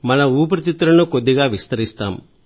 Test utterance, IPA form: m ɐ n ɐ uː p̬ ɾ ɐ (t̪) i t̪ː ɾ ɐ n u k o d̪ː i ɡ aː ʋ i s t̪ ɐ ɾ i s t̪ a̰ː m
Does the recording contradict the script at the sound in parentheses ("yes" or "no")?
no